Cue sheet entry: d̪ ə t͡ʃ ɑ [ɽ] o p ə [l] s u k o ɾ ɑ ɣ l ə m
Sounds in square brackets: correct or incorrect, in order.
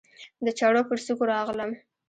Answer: correct, incorrect

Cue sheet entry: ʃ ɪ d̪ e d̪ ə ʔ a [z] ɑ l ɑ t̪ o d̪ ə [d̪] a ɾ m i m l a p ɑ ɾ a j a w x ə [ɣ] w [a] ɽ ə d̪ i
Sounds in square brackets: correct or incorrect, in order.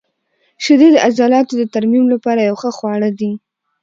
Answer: correct, incorrect, incorrect, incorrect

